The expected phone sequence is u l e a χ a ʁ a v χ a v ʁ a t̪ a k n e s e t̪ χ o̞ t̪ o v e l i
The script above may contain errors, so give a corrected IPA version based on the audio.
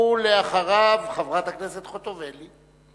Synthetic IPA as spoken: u l e a χ a ʁ a v χ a v ʁ a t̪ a k n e s e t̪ χ o̞ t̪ o v e l i